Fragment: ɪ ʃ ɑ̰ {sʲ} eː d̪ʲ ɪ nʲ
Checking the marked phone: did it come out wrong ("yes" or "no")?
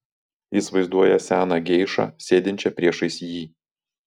no